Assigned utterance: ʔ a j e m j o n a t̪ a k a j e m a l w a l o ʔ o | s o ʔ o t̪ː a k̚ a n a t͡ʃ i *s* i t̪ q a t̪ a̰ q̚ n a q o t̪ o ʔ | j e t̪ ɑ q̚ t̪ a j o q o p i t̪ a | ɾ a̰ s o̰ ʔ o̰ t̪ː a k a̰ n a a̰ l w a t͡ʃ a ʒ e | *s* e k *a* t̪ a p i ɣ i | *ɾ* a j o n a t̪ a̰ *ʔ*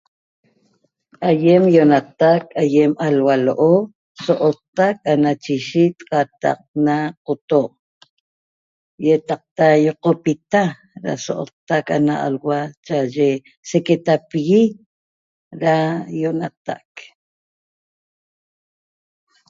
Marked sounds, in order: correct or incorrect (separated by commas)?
incorrect, correct, incorrect, correct, incorrect